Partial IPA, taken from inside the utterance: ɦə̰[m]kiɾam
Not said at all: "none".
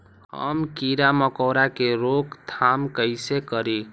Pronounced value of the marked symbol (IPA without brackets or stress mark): m